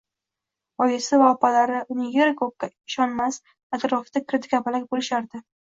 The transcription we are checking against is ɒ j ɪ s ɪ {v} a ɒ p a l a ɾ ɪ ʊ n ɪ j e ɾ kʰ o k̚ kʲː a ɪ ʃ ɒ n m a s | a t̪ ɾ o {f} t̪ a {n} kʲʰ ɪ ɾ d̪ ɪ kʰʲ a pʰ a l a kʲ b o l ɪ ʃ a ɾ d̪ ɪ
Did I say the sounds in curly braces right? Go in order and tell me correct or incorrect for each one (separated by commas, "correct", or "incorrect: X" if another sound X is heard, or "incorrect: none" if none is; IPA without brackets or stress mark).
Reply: correct, correct, incorrect: none